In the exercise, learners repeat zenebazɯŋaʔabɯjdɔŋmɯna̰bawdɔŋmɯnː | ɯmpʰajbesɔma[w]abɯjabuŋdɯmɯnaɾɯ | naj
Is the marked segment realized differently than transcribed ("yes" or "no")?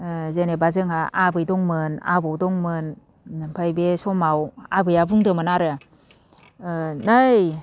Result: no